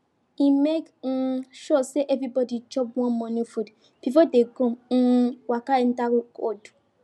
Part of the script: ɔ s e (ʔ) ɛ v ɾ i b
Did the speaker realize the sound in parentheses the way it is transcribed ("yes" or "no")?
yes